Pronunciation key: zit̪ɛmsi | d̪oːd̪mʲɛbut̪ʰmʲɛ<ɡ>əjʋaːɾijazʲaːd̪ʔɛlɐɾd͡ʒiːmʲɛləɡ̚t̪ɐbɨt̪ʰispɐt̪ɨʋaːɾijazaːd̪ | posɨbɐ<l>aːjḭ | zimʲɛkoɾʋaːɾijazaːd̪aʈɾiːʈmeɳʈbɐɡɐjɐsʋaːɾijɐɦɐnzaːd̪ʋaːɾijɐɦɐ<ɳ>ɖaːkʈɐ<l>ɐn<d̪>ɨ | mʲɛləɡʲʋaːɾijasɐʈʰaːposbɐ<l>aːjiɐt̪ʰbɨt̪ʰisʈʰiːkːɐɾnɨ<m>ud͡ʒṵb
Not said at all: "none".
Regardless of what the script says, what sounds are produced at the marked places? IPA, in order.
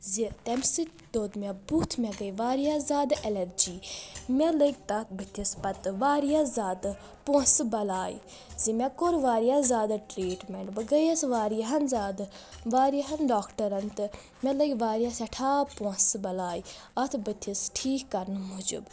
ɡ, l, n, ɾ, t̪, l, m

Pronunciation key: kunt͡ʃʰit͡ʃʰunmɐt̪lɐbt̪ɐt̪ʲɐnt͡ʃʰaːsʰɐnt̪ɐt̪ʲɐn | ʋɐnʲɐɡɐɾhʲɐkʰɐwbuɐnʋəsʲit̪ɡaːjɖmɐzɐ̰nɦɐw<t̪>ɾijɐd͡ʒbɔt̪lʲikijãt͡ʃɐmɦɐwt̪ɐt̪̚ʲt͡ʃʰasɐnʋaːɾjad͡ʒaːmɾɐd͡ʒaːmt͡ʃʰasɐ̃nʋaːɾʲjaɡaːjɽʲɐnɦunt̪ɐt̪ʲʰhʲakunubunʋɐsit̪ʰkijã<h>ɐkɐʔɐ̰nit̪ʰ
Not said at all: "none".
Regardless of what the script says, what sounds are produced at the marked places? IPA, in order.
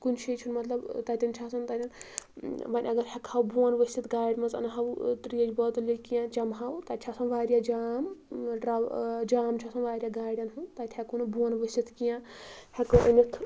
t̪, h

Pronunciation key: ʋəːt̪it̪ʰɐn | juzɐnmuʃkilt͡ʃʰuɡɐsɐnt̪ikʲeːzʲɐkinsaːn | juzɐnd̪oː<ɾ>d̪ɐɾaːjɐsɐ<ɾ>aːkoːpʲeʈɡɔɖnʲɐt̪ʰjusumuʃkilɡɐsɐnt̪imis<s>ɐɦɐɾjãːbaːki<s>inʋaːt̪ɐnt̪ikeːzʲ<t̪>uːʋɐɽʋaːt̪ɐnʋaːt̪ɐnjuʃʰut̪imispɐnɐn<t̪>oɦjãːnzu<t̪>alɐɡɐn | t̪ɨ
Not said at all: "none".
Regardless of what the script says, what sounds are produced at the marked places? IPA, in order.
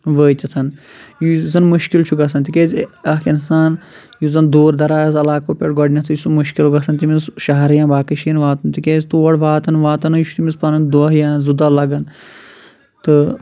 ɾ, l, ʃ, ʃ, t̪, d̪, d̪

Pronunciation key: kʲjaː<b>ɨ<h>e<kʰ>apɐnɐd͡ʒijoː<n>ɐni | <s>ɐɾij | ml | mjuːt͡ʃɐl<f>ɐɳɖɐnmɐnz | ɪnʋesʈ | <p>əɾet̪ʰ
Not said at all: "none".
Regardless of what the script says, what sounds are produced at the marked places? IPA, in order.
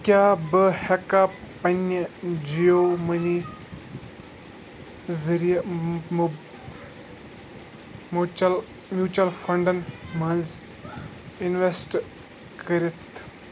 b, h, k, m, z, f, k

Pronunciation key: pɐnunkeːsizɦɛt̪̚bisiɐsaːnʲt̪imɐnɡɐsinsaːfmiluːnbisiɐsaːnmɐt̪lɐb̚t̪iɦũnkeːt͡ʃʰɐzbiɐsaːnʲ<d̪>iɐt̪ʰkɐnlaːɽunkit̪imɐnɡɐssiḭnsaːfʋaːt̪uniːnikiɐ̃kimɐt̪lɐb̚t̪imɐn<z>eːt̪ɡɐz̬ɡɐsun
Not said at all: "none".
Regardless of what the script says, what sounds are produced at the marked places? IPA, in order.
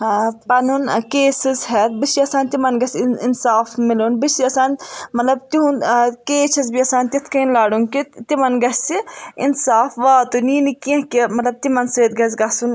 t̪, s

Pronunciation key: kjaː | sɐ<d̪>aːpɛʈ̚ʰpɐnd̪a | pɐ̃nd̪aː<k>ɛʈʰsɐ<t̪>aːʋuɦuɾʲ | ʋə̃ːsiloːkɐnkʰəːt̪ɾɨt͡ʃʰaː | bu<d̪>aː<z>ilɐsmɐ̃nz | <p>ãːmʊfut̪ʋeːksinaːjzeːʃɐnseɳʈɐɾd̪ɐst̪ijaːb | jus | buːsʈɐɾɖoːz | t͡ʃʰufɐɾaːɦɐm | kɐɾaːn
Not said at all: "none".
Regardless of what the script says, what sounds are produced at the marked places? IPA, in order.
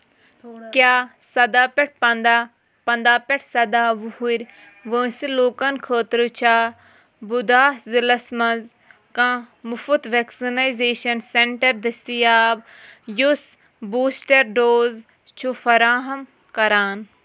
d̪, p, d̪, d̪, z, k

